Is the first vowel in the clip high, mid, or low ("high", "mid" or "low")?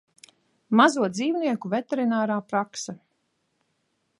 low